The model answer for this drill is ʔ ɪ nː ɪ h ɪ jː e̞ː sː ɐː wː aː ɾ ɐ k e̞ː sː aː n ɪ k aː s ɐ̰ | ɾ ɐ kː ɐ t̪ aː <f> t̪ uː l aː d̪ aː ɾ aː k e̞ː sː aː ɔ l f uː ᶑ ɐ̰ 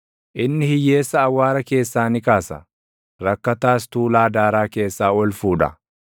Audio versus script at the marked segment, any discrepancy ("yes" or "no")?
yes